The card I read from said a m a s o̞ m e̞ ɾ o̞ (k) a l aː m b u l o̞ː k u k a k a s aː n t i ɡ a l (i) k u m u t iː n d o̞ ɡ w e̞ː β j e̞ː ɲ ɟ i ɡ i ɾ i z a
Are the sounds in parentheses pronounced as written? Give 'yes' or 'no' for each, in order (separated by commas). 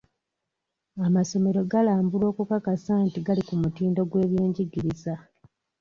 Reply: no, yes